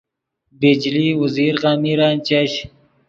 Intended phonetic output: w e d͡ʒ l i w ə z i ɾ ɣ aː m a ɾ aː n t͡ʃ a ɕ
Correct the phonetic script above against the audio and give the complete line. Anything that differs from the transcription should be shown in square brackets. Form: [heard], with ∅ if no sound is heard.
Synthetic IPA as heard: [b] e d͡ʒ l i w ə z i ɾ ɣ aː m [i] ɾ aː n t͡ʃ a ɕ

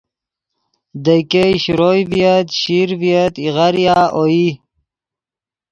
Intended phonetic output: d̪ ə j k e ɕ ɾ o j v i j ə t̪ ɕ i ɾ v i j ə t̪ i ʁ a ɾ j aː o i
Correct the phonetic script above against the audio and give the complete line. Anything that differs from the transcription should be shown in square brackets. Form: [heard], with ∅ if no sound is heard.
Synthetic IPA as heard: d̪ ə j k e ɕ ɾ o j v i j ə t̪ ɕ i ɾ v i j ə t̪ i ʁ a ɾ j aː o i

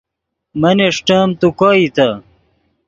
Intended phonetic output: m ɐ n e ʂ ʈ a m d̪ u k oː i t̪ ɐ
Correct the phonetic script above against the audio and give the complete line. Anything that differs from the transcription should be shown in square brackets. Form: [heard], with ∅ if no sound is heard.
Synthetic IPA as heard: m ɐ n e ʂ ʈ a m [t̪] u k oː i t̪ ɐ

